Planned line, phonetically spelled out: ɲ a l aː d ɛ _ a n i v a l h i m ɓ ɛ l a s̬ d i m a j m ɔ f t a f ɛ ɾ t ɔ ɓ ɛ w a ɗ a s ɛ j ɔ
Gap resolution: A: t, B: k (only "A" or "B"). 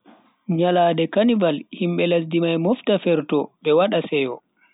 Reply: B